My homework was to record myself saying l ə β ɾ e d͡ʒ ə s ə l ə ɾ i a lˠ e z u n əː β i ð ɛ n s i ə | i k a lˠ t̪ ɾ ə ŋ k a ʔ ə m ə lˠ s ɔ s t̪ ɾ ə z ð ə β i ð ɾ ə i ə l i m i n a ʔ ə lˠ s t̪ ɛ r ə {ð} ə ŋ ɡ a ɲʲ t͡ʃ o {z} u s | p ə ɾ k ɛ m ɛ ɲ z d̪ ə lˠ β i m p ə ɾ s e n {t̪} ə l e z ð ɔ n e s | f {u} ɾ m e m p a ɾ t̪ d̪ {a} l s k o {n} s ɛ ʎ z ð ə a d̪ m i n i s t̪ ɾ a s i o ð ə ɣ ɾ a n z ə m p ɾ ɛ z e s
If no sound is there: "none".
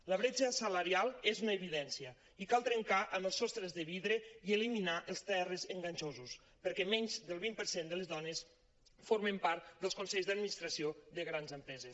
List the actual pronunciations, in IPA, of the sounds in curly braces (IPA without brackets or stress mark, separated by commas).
z, z, d̪, o, ə, n